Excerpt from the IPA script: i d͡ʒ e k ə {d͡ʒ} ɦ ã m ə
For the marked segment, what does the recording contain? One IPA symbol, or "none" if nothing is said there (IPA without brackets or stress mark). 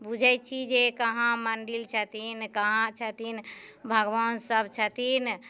none